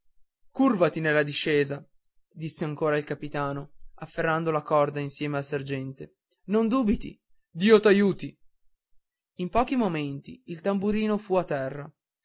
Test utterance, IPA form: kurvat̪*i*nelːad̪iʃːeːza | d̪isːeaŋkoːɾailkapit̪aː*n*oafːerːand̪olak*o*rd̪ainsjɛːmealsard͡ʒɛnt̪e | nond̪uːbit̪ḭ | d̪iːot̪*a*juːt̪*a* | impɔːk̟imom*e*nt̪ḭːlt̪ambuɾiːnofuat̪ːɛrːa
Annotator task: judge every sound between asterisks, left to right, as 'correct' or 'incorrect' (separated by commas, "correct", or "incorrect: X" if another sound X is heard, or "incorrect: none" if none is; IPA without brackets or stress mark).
correct, correct, incorrect: ɔ, correct, incorrect: i, correct